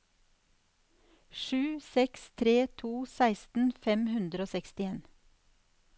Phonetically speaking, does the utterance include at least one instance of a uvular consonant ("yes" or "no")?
no